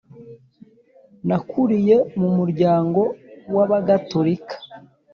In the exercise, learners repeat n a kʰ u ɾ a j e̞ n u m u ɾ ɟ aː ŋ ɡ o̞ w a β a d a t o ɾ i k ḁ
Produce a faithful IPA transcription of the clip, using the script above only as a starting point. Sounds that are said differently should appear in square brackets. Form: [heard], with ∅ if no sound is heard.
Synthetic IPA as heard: n a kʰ u ɾ [i] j e̞ [m] u m u ɾ ɟ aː ŋ ɡ o̞ w a β a [ɡ] a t o ɾ i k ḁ